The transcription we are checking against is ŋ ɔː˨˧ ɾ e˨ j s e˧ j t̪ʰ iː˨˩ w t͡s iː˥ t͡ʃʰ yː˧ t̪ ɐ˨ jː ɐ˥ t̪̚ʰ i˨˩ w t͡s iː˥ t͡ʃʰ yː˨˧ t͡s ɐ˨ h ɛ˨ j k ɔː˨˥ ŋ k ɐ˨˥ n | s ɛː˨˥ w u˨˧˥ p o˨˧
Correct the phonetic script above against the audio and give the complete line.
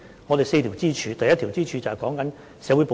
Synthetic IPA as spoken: ŋ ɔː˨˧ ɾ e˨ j s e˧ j t̪ʰ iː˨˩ w t͡s iː˥ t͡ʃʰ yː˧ t̪ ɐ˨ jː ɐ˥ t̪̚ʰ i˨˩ w t͡s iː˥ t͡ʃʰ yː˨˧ t͡s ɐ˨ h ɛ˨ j k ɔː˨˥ ŋ k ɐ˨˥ n | s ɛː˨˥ w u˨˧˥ p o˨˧